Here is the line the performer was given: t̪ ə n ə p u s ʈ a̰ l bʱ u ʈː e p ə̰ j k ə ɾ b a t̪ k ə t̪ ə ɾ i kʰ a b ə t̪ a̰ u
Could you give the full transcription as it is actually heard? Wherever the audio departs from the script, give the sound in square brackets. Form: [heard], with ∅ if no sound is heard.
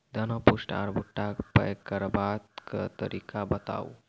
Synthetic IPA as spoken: [d̪] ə n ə p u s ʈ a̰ [ɾ] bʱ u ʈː [a] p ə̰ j k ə ɾ b a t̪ k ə t̪ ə ɾ i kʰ a b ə t̪ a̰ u